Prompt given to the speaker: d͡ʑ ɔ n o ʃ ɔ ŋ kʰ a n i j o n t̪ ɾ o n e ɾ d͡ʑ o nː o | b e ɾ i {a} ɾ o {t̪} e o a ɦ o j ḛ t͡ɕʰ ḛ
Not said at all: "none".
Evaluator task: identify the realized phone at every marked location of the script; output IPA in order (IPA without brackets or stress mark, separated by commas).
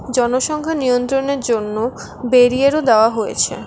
e, d̪